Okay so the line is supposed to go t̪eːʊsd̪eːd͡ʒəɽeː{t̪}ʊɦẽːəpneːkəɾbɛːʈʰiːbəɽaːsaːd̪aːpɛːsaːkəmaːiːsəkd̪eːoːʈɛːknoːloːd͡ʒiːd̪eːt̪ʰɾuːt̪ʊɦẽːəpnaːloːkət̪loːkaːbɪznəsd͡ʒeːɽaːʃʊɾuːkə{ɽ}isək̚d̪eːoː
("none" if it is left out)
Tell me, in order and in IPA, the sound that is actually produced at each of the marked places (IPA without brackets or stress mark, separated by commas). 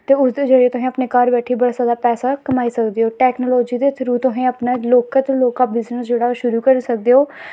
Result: t̪, ɾ